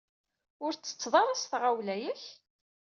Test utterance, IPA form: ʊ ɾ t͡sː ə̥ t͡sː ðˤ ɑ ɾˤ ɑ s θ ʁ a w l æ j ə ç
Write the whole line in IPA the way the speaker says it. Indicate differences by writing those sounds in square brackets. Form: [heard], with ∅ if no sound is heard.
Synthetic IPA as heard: ʊ ɾ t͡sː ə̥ t͡sː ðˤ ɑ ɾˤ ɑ s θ ʁ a w l æ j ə ç